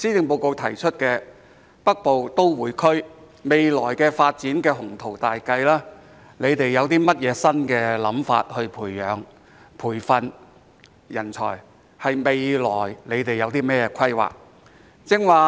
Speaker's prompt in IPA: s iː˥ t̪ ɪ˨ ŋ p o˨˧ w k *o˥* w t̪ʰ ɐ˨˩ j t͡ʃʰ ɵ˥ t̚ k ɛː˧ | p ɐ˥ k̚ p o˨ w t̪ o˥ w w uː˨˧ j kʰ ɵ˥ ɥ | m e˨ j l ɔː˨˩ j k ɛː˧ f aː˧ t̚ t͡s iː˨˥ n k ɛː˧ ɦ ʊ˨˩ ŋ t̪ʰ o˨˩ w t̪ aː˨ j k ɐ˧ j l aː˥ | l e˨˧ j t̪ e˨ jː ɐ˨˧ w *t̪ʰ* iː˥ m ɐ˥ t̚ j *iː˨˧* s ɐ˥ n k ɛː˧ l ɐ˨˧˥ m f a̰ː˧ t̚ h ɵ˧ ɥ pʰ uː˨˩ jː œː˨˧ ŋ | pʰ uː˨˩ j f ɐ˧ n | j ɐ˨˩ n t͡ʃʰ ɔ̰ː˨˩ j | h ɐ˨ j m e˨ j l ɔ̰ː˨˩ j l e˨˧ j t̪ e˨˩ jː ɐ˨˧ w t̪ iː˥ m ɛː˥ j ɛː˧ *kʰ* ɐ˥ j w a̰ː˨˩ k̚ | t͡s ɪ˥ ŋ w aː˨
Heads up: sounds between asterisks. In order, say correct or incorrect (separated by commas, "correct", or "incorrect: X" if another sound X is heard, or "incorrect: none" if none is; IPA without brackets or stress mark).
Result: incorrect: o˨˧, incorrect: t̪, incorrect: ɛː˨˧, correct